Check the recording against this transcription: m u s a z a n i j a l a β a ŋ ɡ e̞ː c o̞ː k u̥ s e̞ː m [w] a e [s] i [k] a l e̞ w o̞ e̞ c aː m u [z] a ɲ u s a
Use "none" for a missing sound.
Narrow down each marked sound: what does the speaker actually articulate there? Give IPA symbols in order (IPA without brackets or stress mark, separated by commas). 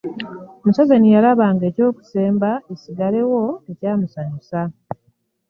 b, s, ɡ, s